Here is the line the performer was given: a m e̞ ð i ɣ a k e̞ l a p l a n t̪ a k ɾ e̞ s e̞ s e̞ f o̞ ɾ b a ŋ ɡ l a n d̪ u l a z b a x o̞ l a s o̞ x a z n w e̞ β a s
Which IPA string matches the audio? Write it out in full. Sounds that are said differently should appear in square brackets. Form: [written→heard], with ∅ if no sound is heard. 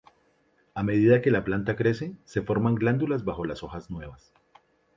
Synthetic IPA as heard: a m e̞ ð i [ɣ→ð] a k e̞ l a p l a n t̪ a k ɾ e̞ s e̞ s e̞ f o̞ ɾ [b→m] a ŋ ɡ l a n d̪ u l a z b a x o̞ l a s o̞ x a z n w e̞ β a s